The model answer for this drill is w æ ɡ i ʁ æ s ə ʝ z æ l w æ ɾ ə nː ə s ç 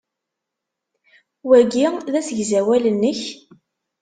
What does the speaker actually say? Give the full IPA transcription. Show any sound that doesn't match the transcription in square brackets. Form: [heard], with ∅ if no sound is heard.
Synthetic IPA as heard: w æ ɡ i [ð] æ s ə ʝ z æ [∅] w æ [l] ə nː ə [∅] ç